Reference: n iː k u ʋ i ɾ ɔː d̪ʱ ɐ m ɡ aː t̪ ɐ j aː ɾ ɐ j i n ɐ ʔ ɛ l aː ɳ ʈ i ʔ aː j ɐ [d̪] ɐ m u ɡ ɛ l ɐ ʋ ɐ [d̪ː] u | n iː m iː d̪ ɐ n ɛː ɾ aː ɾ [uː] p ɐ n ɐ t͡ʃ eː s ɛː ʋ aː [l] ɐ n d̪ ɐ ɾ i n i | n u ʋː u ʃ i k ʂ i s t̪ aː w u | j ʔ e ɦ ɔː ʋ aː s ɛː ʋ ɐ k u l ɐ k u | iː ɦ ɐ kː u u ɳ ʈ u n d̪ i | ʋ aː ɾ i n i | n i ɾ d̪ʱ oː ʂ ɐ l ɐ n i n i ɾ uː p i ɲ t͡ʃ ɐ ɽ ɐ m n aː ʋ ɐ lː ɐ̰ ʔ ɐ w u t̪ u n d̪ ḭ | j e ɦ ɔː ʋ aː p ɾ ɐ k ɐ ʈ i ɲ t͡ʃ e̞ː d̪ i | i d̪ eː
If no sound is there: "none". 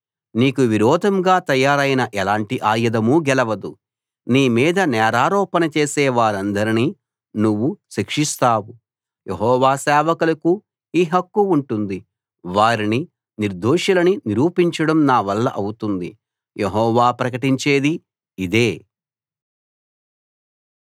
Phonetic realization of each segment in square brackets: d̪, d̪, ɔː, ɾ

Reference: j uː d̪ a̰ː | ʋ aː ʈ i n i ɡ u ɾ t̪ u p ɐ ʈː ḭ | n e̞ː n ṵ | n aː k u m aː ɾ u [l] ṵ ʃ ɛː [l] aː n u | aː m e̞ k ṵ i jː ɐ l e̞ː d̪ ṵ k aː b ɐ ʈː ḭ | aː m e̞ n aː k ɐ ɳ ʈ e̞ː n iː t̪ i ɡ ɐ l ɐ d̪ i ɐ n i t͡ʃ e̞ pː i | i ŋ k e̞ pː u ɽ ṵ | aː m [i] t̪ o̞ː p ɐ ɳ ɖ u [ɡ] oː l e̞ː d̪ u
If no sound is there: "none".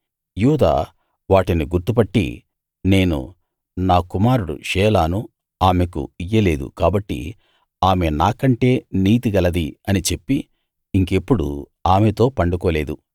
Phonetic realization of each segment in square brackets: ɽ, l, e, k

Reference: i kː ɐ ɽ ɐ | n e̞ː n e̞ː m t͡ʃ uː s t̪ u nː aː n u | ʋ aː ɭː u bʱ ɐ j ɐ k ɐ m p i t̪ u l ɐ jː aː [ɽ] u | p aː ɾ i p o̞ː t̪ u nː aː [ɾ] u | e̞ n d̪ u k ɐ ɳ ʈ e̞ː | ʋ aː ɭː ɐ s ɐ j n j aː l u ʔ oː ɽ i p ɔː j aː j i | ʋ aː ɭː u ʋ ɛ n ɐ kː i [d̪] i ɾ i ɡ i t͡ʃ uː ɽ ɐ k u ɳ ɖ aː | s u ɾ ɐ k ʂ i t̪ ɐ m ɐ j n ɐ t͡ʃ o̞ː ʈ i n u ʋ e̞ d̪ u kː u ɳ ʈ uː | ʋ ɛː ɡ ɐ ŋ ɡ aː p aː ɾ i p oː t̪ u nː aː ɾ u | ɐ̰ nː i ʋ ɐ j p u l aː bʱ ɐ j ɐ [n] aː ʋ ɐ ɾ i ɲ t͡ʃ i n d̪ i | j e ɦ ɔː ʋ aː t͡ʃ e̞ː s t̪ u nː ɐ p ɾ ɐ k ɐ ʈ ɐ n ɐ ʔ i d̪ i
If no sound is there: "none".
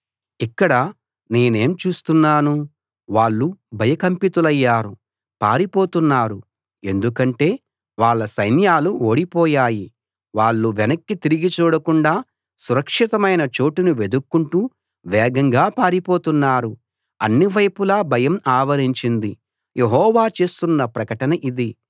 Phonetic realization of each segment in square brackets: ɾ, ɾ, t̪, m

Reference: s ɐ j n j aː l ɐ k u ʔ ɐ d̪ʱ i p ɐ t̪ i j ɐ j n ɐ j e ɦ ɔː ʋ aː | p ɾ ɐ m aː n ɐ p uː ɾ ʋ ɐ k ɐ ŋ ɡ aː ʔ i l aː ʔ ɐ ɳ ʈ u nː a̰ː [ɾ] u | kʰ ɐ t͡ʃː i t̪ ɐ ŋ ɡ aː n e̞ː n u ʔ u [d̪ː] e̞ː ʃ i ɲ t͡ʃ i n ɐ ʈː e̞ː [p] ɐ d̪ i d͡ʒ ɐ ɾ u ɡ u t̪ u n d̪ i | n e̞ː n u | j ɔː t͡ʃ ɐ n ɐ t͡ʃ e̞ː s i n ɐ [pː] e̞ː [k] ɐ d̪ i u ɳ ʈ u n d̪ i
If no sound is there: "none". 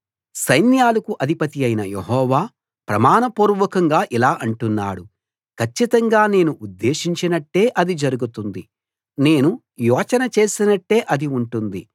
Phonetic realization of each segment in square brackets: ɽ, d̪ː, ʔ, ʈː, ʔ

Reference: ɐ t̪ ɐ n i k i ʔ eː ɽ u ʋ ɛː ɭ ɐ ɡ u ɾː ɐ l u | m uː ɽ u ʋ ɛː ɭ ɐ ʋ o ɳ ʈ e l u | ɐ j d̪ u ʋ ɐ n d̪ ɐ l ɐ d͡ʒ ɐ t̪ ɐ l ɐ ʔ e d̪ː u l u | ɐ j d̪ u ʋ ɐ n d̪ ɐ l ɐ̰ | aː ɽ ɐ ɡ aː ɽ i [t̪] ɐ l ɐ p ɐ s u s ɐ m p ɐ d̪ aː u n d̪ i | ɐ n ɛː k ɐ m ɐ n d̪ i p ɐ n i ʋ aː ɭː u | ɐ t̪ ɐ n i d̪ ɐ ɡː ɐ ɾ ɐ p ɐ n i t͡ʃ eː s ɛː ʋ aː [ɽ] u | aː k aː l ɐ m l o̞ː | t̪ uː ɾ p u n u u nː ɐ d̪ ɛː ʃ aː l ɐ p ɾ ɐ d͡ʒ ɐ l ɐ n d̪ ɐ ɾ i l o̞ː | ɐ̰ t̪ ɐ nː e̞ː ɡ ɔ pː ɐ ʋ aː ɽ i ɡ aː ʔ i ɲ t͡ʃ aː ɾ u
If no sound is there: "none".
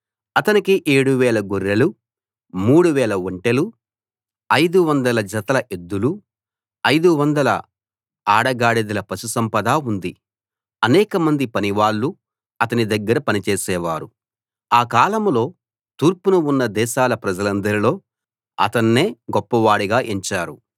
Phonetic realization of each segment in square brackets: d̪, ɾ

